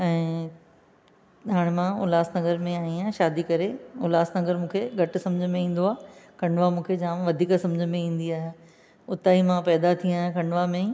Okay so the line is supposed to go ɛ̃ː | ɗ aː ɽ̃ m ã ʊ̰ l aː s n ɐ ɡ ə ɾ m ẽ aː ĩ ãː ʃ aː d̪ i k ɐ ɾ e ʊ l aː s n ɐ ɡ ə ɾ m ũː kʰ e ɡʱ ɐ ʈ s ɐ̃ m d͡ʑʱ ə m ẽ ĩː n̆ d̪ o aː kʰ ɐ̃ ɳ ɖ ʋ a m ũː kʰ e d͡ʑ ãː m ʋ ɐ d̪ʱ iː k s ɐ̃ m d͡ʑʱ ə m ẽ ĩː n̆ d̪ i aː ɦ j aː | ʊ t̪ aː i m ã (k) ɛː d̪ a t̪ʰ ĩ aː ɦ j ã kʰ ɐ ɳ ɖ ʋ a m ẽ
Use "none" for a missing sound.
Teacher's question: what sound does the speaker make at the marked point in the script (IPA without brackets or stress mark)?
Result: p